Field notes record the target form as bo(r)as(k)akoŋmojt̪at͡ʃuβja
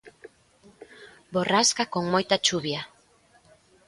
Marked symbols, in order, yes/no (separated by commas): yes, yes